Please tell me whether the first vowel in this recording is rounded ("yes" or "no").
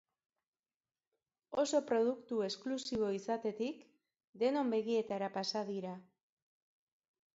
yes